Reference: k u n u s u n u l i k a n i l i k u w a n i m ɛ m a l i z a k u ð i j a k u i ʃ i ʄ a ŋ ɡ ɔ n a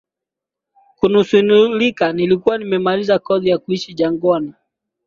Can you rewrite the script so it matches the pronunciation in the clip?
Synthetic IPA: k u n u s u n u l i k a n i l i k u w a n i m ɛ m a l i z a k ɔ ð i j a k u i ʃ i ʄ a ŋ ɡ ɔ n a